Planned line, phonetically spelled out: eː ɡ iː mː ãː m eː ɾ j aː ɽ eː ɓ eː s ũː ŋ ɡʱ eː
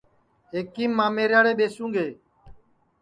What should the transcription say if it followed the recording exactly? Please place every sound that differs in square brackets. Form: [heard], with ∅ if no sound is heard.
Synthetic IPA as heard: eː [k] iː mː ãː m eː ɾ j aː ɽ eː ɓ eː s ũː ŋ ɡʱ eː

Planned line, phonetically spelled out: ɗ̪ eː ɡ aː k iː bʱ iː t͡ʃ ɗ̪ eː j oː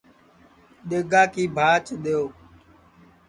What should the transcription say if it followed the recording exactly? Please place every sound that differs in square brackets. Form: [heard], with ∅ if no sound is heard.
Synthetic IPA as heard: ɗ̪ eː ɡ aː k iː bʱ [aː] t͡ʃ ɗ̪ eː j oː

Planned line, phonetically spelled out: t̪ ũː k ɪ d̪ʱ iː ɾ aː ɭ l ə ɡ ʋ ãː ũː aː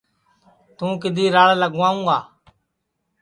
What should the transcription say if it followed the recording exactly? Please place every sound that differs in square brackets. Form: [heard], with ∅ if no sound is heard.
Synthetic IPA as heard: t̪ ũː k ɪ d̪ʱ iː ɾ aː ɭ l ə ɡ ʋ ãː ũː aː

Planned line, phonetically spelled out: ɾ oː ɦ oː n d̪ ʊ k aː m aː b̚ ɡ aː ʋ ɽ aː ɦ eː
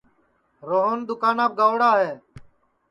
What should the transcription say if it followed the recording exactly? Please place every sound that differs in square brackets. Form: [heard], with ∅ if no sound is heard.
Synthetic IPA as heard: ɾ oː ɦ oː n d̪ ʊ k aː [n] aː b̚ ɡ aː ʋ ɽ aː ɦ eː

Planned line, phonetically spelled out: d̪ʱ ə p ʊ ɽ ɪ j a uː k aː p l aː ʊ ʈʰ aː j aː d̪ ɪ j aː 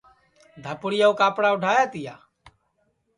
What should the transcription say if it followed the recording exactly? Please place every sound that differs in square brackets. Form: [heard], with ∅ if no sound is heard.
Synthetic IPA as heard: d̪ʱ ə p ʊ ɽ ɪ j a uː k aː p [ɽ] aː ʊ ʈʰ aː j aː [t̪] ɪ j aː

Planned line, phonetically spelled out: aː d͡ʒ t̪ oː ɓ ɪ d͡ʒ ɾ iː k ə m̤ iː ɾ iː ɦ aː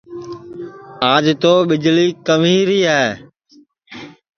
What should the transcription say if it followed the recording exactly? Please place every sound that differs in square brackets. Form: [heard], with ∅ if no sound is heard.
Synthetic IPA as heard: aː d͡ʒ t̪ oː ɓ ɪ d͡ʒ [l] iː k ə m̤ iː ɾ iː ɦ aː

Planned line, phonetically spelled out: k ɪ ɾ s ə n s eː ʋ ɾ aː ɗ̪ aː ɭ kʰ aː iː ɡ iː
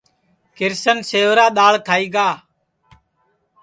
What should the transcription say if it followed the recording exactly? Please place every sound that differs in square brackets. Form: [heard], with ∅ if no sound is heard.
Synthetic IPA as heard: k ɪ ɾ s ə n s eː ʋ ɾ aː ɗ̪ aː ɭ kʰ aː iː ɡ [aː]

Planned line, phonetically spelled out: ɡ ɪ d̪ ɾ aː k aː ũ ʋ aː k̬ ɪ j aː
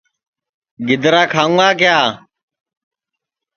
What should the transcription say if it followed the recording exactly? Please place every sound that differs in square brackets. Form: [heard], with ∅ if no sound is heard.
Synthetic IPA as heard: ɡ ɪ d̪ ɾ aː [kʰ] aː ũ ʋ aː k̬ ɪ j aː

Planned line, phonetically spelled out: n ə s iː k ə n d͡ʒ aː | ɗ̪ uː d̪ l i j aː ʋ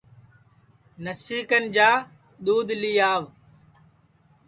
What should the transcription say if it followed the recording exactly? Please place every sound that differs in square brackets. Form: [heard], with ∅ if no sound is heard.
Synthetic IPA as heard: n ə s iː k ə n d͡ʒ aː | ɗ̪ uː d̪ l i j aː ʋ

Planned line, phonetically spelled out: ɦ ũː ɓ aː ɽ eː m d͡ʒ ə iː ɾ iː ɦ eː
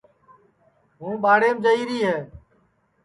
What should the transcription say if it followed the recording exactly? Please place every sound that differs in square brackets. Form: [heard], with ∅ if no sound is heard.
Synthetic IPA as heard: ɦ ũː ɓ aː ɽ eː m d͡ʒ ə iː ɾ iː ɦ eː

